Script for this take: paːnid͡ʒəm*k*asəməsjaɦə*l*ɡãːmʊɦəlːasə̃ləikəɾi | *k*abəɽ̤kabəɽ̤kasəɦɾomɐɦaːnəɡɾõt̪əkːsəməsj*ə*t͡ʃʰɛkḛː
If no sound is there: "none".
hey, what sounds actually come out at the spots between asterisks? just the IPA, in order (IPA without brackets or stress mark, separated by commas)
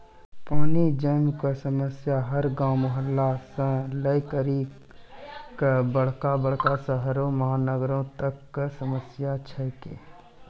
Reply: k, ɾ, k, a